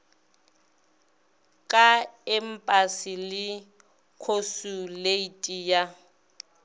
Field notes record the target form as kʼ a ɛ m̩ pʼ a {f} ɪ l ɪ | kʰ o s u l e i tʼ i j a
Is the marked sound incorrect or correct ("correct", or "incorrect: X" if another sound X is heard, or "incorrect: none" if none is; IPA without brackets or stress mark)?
incorrect: s